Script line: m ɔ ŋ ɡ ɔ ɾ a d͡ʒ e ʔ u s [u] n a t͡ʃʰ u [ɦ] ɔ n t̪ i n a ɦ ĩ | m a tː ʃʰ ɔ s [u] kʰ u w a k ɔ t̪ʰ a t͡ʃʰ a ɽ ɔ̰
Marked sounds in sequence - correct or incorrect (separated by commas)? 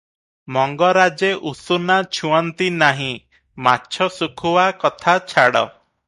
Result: correct, incorrect, correct